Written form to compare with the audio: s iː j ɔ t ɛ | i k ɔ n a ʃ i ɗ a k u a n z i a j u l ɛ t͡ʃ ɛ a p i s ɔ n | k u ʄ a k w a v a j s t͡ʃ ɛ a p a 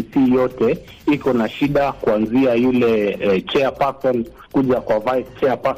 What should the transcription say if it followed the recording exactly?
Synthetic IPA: s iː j ɔ t ɛ | i k ɔ n a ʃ i ɗ a k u a n z i a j u l ɛ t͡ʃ ɛ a p a s ɔ n | k u ʄ a k w a v a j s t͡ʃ ɛ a p a